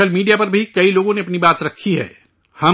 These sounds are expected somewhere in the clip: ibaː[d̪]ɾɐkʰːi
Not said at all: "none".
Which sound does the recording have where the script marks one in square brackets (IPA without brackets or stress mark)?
t̪